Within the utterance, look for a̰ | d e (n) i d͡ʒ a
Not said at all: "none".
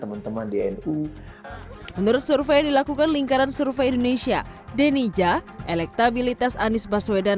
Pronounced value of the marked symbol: n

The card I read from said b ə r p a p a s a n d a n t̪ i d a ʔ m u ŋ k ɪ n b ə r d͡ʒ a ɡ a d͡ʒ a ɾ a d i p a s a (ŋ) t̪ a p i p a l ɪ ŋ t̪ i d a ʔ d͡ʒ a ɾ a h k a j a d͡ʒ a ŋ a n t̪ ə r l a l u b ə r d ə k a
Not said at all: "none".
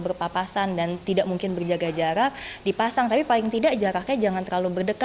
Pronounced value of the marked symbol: ŋ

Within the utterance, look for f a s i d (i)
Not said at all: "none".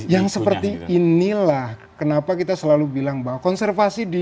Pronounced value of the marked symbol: i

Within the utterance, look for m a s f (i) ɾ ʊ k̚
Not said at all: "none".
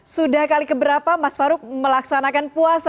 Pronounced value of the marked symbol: a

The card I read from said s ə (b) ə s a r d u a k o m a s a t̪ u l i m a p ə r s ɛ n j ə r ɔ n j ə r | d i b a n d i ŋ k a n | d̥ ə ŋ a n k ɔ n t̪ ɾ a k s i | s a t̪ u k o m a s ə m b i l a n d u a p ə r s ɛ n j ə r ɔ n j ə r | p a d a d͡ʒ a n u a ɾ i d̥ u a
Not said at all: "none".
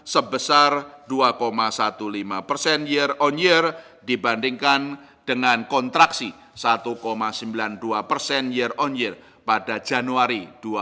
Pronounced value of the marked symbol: b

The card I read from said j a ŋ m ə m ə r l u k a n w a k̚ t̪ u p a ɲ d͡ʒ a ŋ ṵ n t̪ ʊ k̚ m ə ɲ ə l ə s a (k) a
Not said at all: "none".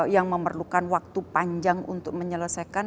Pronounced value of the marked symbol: k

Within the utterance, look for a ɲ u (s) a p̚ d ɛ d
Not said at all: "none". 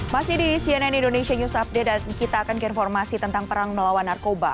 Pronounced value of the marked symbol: s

